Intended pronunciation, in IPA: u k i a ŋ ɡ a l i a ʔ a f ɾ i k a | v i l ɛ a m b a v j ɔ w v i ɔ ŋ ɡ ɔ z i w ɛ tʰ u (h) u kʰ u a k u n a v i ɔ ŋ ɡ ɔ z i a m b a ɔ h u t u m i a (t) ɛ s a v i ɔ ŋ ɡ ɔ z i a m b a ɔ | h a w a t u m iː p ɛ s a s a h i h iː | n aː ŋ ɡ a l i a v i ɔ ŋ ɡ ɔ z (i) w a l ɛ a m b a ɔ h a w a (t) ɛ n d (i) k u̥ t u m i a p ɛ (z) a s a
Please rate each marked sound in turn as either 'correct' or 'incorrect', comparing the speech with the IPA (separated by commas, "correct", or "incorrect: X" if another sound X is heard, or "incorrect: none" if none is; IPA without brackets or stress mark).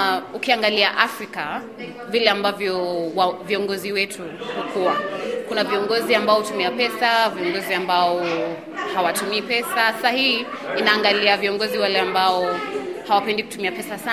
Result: correct, incorrect: p, correct, incorrect: p, correct, incorrect: s